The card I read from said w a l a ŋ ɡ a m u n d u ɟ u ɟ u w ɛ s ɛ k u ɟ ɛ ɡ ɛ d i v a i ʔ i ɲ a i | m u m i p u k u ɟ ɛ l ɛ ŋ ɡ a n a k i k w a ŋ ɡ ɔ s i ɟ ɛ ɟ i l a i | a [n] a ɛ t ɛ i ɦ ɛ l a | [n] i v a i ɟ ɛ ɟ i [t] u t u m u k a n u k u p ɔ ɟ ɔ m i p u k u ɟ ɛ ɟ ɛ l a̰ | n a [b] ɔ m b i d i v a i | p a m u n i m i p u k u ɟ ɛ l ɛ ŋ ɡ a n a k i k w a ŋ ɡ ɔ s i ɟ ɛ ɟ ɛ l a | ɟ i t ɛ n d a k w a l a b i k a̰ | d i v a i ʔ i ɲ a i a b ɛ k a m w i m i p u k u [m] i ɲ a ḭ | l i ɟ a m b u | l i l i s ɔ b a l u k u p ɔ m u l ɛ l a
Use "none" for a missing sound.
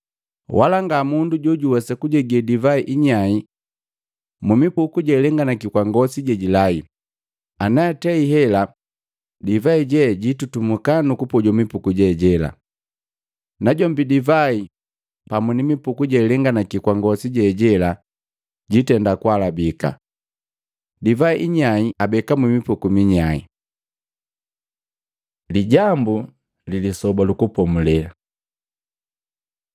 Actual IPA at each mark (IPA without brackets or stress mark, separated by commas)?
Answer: n, d, t, ɟ, m